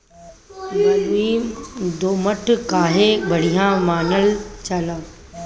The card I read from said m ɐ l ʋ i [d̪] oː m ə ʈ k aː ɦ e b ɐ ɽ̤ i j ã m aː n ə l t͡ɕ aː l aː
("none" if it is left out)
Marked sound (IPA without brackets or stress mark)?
d̪